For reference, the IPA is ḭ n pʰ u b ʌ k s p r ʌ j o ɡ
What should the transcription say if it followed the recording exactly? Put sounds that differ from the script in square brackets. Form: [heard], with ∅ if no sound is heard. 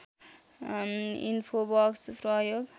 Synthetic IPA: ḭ n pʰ [o] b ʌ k s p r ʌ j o ɡ